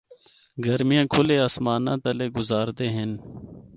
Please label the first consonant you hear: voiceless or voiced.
voiced